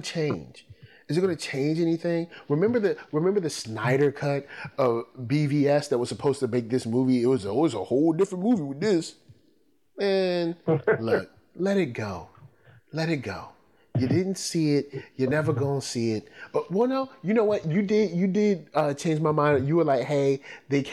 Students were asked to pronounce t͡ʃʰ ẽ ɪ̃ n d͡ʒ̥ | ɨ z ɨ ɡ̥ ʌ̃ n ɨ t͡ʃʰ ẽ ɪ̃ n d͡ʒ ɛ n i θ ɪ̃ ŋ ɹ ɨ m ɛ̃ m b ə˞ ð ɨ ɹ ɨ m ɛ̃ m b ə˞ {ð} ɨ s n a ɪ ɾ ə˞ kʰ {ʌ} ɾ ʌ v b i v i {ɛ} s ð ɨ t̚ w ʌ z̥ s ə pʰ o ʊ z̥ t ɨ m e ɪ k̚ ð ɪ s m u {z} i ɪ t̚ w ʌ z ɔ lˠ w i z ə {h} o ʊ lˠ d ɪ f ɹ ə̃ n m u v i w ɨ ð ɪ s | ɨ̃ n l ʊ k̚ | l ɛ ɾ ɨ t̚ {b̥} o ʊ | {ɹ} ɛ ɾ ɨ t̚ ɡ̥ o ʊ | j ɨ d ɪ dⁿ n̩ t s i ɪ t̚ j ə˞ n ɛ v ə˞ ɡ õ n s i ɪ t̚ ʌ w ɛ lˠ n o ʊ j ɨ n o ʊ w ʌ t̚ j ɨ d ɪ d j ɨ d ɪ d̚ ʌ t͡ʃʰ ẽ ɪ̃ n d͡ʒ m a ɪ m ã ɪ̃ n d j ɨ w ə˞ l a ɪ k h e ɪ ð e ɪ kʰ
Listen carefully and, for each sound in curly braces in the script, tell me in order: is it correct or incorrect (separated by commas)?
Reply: correct, correct, correct, incorrect, correct, incorrect, incorrect